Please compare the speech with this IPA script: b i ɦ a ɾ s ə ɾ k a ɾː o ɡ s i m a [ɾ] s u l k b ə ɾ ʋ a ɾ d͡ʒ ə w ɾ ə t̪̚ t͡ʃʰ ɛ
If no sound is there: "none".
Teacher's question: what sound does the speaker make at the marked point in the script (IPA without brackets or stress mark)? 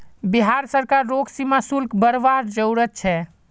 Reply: none